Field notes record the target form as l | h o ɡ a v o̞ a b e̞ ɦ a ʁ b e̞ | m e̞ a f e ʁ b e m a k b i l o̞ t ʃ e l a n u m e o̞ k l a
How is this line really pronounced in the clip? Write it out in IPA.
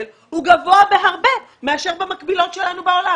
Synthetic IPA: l | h u ɡ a v o̞ a b e̞ ɦ a ʁ b e̞ | m e̞ a ʃ e ʁ b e m a k b i l o̞ t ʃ e l a n u b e o̞ l a